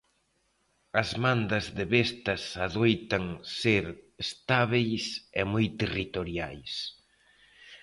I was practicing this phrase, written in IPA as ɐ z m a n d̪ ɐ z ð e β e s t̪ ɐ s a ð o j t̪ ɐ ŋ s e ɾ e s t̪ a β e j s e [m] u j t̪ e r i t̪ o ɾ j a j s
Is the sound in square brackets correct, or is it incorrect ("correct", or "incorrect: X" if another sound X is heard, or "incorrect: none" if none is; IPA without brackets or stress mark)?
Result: correct